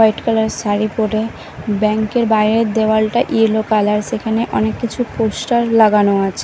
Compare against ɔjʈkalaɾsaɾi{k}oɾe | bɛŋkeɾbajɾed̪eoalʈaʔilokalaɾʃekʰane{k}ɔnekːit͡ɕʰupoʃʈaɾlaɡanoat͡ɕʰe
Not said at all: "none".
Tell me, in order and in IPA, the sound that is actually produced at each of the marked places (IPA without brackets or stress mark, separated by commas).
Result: p, ʔ